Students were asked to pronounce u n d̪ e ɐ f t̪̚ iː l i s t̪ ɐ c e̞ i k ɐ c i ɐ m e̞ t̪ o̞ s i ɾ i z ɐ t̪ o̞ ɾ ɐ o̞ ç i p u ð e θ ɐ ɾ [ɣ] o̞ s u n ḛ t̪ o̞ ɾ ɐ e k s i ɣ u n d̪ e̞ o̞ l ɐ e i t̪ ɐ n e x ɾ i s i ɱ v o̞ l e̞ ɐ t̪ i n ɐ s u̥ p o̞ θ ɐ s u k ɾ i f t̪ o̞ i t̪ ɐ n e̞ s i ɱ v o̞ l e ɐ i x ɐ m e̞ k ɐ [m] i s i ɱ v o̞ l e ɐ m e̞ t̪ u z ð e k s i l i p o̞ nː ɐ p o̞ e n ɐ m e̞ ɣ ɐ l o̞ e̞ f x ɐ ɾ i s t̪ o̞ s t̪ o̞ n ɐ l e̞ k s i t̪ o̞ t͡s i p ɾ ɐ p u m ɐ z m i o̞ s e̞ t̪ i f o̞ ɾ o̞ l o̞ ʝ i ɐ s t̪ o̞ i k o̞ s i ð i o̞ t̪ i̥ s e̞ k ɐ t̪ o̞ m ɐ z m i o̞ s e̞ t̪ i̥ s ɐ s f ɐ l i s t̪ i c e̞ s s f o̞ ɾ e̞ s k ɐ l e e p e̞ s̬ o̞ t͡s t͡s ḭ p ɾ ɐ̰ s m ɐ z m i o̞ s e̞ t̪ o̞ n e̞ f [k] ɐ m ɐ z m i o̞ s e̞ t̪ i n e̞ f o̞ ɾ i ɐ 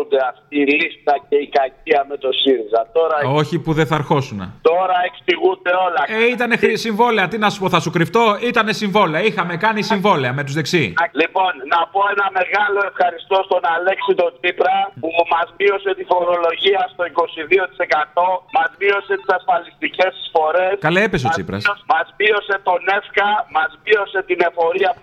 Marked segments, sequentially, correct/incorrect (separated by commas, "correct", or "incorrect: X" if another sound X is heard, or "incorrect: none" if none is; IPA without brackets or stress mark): incorrect: x, incorrect: n, correct